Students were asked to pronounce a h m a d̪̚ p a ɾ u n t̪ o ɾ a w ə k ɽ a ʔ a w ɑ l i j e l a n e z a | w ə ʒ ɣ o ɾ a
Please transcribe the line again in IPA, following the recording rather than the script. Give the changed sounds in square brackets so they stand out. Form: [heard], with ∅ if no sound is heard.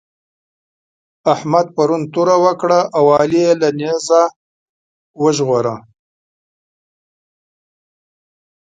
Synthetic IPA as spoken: a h m a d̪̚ p a ɾ u n t̪ [u] ɾ a w ə k ɽ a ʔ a w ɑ l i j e l a n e z a | w ə ʒ ɣ o ɾ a